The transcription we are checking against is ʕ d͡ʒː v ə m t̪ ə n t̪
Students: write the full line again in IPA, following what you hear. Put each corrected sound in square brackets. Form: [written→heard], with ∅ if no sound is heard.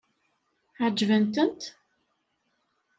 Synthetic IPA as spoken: ʕ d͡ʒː v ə [m→n] t̪ ə n t̪